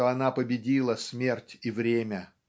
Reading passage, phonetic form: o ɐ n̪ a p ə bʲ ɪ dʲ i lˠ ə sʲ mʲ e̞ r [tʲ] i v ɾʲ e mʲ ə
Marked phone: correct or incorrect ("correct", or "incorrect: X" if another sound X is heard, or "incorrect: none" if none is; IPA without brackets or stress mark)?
correct